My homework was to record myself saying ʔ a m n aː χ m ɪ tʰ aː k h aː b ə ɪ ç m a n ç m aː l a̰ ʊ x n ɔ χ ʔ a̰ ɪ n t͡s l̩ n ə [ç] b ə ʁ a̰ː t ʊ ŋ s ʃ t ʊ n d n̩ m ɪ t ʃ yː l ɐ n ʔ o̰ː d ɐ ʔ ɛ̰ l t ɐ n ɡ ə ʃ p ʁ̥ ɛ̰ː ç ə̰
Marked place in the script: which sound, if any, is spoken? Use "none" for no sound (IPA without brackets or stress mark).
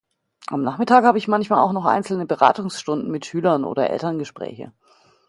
none